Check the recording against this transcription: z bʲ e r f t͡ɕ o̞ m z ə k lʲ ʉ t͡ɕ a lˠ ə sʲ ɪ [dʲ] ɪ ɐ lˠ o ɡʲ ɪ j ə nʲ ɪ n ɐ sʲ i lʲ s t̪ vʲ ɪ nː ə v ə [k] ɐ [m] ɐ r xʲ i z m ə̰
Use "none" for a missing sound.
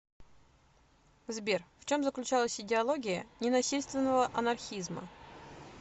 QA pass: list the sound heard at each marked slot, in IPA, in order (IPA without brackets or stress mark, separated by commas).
dʲ, ʔ, n